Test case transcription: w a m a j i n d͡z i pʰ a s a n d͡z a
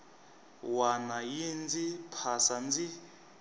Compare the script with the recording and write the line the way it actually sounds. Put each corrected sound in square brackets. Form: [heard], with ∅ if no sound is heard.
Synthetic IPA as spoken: w a [n] a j i n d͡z i pʰ a s a n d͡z [i]